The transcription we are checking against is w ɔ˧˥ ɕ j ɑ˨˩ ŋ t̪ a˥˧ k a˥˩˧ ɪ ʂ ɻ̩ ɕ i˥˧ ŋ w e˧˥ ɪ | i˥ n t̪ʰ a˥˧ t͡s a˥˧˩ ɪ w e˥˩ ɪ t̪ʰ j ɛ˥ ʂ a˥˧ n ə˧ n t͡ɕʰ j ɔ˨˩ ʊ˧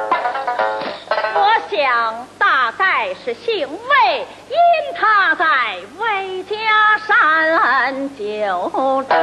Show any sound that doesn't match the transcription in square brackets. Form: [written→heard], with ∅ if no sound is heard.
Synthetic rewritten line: w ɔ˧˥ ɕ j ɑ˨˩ ŋ t̪ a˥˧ k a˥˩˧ ɪ ʂ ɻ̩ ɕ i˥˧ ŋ w [e˧˥→e˥˩] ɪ | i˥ n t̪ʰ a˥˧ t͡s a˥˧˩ ɪ w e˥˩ ɪ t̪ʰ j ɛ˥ ʂ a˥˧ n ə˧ n [t͡ɕʰ→t͡ɕ] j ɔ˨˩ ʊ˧